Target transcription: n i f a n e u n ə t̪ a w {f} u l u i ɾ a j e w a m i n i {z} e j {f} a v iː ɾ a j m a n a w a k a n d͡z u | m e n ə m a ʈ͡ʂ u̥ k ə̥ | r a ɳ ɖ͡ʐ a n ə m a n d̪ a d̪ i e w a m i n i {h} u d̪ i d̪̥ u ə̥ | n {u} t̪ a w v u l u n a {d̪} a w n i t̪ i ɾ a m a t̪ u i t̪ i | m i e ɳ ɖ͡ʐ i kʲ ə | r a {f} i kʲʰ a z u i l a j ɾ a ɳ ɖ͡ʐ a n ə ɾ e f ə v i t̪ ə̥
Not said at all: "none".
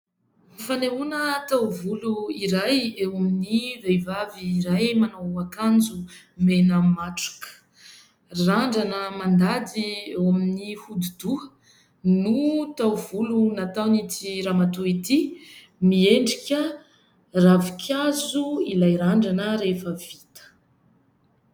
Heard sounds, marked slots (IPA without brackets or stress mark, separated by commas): v, v, v, h, u, t̪, v